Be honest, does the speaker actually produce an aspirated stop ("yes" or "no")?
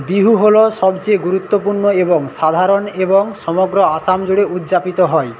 no